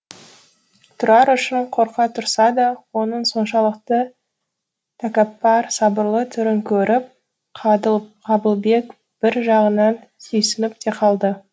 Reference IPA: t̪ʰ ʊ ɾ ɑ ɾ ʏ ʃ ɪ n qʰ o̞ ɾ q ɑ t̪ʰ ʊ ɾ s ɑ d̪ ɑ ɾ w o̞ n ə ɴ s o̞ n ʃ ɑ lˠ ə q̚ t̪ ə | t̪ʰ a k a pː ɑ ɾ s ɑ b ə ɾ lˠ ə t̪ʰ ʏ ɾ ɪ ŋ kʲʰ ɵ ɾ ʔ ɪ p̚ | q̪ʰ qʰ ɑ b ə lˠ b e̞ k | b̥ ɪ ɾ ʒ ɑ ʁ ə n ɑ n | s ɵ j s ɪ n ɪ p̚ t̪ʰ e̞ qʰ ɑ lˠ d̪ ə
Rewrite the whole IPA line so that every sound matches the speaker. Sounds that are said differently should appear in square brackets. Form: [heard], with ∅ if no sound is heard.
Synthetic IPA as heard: t̪ʰ ʊ ɾ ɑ ɾ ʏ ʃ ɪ [ɴ] qʰ o̞ ɾ q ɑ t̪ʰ ʊ ɾ s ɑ d̪ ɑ [∅] w o̞ n ə ɴ s o̞ n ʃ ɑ lˠ ə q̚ t̪ ə | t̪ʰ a k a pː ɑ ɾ s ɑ b ə ɾ lˠ ə t̪ʰ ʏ ɾ ɪ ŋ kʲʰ ɵ ɾ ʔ ɪ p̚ | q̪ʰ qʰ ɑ b ə lˠ b e̞ k | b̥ ɪ ɾ ʒ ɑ ʁ ə n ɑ n | s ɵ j s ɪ n ɪ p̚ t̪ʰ e̞ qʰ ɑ lˠ d̪ ə

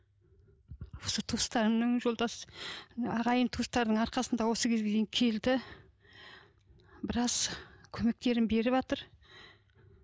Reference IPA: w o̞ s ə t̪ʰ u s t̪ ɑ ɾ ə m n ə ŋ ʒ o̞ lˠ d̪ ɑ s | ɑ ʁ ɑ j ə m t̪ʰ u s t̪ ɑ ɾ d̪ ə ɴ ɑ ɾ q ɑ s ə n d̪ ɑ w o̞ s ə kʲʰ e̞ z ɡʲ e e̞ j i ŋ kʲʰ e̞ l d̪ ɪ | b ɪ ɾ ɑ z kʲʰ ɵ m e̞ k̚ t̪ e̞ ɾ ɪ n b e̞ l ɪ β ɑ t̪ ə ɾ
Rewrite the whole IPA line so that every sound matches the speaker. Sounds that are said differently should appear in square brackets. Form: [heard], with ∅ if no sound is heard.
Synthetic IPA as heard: w o̞ s ə t̪ʰ u s t̪ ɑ ɾ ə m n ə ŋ ʒ o̞ lˠ d̪ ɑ s | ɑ ʁ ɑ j ə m t̪ʰ u s t̪ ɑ ɾ d̪ ə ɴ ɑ ɾ q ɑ s ə n d̪ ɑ w o̞ s ə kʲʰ e̞ z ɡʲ e e̞ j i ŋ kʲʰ e̞ l d̪ ɪ | b ɪ ɾ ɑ z kʲʰ ɵ m e̞ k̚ t̪ e̞ ɾ ɪ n b e̞ [ɾ] ɪ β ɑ t̪ ə ɾ

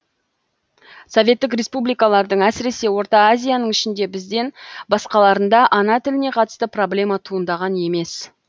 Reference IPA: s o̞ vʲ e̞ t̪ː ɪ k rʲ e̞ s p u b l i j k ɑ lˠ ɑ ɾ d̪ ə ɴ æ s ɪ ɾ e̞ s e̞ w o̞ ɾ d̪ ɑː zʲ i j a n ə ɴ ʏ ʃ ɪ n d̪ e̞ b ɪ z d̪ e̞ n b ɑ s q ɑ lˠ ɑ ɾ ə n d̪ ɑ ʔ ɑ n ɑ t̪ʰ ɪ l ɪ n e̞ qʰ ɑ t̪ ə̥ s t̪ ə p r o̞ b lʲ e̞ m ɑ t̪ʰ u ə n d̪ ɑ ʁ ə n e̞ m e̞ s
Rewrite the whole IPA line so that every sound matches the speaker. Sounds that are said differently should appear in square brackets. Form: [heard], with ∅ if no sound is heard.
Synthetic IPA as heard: s o̞ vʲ e̞ t̪ː ɪ k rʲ e̞ s p u b l i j k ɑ lˠ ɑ ɾ d̪ ə ɴ æ s ɪ ɾ e̞ s e̞ w o̞ ɾ [t̪] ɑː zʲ i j a n ə ɴ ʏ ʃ ɪ n d̪ e̞ b ɪ z d̪ e̞ n b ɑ s q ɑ lˠ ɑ ɾ ə n d̪ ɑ ʔ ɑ n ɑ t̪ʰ ɪ l ɪ n e̞ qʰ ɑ t̪ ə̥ s t̪ ə p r o̞ b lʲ e̞ m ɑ t̪ʰ u ə n d̪ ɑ ʁ [ɑ] n e̞ m e̞ s

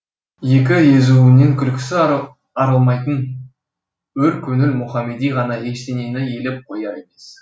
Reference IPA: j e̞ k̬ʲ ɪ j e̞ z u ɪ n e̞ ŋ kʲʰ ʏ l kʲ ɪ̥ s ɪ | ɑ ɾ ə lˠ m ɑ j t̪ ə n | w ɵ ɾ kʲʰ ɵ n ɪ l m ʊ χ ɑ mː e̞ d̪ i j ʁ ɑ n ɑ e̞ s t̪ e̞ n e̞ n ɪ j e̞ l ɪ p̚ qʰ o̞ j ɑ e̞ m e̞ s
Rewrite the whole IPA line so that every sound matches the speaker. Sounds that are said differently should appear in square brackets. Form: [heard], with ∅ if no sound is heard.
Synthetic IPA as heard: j e̞ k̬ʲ ɪ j e̞ z u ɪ n e̞ ŋ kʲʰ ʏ l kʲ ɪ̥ s ɪ | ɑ ɾ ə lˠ m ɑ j t̪ ə n | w ɵ ɾ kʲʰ ɵ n ɪ l m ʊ χ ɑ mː e̞ d̪ i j ʁ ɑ n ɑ e̞ [ʃ] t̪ e̞ n e̞ n ɪ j e̞ l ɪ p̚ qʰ o̞ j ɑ e̞ m e̞ s

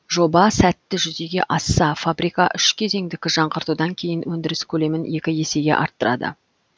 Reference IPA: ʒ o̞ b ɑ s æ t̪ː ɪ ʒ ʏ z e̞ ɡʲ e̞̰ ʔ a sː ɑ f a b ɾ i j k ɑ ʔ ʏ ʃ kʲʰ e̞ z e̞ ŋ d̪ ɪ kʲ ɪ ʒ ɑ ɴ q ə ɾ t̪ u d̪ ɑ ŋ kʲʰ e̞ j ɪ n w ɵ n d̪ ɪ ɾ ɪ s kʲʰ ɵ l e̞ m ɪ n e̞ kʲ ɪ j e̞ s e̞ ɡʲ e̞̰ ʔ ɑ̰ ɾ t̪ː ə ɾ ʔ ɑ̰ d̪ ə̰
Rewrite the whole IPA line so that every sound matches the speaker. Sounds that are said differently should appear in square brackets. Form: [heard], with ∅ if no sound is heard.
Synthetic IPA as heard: ʒ o̞ b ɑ s æ t̪ː ɪ ʒ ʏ z e̞ ɡʲ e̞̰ ʔ [ɑ] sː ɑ f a b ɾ i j k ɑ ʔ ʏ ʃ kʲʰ e̞ z e̞ ŋ d̪ ɪ kʲ ɪ ʒ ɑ ɴ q ə ɾ t̪ u d̪ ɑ ŋ kʲʰ e̞ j ɪ n w ɵ n d̪ ɪ ɾ ɪ s kʲʰ ɵ l e̞ m ɪ n e̞ kʲ ɪ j e̞ s e̞ ɡʲ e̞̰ ʔ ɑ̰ ɾ t̪ː ə ɾ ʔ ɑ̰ d̪ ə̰

